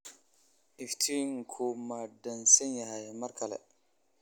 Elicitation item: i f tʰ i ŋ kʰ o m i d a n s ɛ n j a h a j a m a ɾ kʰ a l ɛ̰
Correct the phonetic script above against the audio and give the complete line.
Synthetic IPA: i f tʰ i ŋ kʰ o m a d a n s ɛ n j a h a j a m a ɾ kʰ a l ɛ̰